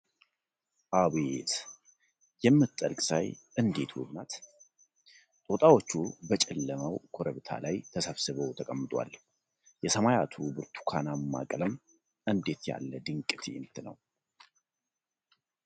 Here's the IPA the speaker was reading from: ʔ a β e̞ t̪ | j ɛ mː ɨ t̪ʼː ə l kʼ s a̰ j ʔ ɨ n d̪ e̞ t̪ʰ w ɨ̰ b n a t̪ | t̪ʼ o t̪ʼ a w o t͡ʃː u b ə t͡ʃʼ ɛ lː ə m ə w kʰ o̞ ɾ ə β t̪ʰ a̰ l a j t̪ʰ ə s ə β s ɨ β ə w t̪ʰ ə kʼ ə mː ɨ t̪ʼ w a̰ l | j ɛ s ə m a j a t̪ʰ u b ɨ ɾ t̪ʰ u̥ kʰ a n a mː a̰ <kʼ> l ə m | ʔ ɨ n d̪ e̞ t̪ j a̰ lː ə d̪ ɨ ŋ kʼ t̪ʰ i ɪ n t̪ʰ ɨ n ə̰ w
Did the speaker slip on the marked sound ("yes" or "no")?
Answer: no